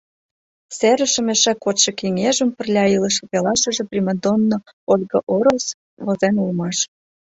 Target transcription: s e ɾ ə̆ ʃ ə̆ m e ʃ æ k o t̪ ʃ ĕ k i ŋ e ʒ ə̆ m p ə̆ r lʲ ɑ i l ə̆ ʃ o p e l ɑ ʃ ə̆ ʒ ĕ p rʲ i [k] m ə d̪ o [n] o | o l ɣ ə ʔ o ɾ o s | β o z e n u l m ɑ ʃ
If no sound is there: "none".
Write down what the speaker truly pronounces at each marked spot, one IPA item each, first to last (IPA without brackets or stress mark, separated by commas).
none, nː